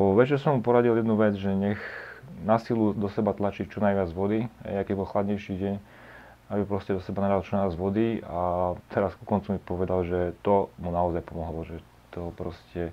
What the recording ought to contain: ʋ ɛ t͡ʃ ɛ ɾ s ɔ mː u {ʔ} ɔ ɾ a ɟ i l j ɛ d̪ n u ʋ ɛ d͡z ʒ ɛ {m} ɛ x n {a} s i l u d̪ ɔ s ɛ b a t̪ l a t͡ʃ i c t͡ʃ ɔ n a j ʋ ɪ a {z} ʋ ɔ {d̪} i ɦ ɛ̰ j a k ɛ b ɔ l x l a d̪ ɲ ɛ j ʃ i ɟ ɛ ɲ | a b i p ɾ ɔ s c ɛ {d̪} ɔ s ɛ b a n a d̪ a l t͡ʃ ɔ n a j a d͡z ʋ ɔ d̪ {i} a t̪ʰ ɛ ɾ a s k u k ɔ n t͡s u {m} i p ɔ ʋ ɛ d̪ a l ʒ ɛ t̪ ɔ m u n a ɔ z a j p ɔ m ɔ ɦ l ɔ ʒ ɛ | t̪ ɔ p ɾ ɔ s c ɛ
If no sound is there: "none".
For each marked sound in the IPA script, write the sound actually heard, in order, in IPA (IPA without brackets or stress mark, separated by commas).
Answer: p, ɲ, a, d͡z, d̪, d̪, i, m